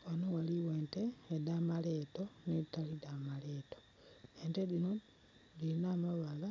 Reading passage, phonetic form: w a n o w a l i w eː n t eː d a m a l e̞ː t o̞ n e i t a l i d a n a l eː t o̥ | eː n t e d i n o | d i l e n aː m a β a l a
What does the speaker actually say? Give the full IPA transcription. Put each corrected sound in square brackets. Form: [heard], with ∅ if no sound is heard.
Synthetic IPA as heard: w a n o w a l i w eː n t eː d a m a l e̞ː t o̞ n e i t a l i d a [m] a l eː t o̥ | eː n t e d i n o | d i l [i] n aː m a β a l a